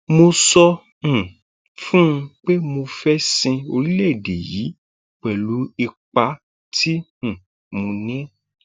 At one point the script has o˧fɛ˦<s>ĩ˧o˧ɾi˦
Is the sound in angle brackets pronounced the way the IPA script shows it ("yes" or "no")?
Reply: yes